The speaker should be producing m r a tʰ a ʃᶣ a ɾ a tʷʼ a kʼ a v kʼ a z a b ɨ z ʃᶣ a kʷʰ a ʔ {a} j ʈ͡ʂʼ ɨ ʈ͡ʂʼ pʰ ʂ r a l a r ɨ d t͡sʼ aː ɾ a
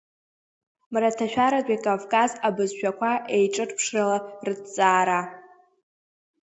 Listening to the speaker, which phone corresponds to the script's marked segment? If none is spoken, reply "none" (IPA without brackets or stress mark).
e